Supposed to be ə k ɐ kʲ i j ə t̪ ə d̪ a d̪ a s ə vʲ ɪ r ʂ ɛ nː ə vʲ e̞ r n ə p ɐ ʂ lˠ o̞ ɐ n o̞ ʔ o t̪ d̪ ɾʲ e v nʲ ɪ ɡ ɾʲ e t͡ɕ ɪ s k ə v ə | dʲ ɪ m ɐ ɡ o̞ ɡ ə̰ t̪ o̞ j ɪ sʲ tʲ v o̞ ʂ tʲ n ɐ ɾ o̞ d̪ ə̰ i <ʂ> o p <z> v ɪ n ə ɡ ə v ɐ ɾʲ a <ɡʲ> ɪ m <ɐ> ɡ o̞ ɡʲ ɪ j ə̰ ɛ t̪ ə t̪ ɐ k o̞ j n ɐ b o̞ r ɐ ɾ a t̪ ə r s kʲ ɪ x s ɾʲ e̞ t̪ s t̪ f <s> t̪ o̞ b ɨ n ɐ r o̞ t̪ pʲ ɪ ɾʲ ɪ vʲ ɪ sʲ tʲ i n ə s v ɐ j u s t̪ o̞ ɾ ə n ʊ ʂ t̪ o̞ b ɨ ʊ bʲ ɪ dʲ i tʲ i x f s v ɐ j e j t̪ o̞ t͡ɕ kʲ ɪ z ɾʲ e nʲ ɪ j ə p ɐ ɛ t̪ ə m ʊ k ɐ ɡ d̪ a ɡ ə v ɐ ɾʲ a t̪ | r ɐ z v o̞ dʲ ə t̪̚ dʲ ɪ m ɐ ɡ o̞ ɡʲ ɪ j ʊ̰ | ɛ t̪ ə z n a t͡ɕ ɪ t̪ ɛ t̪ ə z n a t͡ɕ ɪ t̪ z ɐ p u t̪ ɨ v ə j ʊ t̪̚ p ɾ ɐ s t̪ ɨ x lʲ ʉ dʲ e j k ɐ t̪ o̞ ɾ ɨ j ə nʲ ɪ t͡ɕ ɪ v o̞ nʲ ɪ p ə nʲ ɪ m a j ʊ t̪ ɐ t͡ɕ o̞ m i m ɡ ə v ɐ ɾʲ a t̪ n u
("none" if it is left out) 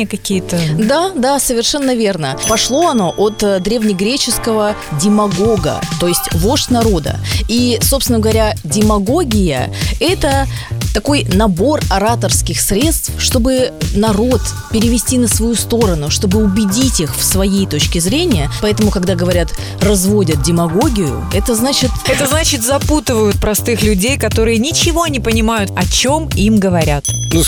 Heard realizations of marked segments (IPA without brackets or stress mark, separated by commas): s, s, dʲ, ɐ, ʂ